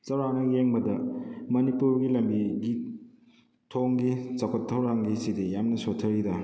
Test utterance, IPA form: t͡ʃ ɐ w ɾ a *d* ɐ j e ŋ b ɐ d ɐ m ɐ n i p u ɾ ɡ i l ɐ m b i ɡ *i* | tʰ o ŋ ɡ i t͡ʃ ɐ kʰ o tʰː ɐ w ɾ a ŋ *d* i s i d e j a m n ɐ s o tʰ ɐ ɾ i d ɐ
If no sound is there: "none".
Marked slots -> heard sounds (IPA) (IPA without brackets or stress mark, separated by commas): n, i, ɡ